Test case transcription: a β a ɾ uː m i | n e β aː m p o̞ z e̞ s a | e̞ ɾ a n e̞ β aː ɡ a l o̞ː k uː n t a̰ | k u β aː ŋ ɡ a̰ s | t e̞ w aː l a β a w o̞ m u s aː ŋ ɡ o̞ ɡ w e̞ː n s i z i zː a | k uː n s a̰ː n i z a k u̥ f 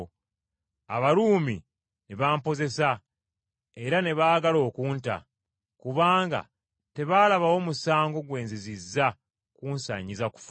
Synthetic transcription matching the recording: a β a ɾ uː m i | n e β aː m p o̞ z e̞ s a | e̞ ɾ a n e̞ β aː ɡ a l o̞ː k uː n t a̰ | k u β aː ŋ ɡ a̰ | t e̞ β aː l a β a w o̞ m u s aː ŋ ɡ o̞ ɡ w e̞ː n z i z i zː a | k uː n s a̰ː ɲ i z a k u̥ f